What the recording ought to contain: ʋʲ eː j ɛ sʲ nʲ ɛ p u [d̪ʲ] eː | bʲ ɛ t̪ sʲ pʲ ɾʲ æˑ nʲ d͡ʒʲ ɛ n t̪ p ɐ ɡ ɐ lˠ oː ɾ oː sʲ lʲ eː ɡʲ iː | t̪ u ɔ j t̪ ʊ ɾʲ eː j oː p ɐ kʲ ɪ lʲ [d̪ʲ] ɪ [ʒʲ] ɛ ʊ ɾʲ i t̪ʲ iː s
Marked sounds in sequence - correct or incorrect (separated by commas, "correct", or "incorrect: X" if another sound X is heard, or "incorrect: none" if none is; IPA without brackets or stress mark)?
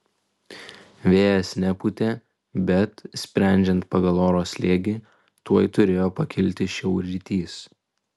incorrect: t̪ʲ, incorrect: t̪ʲ, incorrect: ʃʲ